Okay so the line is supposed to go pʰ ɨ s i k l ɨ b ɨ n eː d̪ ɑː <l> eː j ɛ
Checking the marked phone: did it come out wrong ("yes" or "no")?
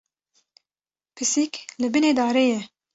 yes